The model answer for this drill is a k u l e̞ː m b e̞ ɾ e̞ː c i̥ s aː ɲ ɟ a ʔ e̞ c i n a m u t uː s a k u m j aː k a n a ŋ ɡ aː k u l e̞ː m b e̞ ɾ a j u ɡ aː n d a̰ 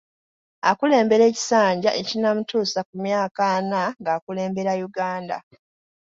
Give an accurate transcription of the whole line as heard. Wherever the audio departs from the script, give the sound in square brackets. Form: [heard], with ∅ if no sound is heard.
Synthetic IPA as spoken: a k u l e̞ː m b e̞ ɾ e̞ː c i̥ s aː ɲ ɟ a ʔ e̞ c i n a m u t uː s a k u m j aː k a n a ŋ ɡ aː k u l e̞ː m b e̞ ɾ a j u ɡ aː n d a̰